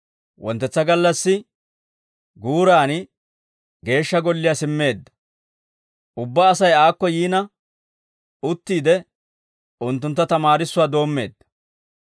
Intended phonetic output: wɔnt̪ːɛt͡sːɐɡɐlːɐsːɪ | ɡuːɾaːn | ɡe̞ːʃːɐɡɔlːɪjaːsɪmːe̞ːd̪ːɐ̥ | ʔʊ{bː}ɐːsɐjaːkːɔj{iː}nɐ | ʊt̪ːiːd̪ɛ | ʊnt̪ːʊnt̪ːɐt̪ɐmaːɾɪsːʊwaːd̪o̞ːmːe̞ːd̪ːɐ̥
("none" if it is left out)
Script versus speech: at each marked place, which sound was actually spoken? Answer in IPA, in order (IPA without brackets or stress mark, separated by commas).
bː, iː